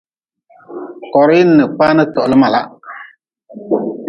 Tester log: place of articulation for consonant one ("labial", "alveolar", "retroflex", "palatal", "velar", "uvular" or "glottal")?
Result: velar